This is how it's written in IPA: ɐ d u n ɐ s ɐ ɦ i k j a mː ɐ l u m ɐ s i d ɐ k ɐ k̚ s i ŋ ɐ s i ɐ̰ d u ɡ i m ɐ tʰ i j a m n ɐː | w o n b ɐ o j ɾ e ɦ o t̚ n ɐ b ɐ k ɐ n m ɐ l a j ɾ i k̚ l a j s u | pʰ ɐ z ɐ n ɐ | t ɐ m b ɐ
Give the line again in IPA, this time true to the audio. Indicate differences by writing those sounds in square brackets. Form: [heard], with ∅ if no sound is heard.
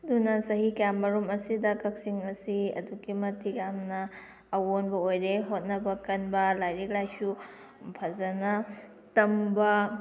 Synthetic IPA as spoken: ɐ d u n ɐ s ɐ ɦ i k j a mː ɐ [ɾ] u m ɐ s i d ɐ k ɐ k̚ s i ŋ ɐ s i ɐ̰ d u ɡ i m ɐ tʰ i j a m n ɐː | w o n b ɐ o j ɾ e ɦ o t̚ n ɐ b ɐ k ɐ n [b] ɐ l a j ɾ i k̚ l a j s u | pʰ ɐ z ɐ n ɐ | t ɐ m b ɐ